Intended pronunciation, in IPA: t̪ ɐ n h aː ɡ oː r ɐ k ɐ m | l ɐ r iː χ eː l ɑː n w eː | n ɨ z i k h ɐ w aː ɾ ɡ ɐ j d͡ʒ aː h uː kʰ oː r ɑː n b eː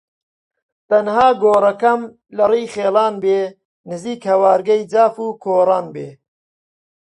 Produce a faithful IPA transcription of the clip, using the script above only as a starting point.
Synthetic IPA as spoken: t̪ ɐ n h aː ɡ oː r ɐ k ɐ m | l ɐ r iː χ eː l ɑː n b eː | n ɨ z iː k h ɐ w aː ɾ ɡ ɐ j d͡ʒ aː f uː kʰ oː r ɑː n b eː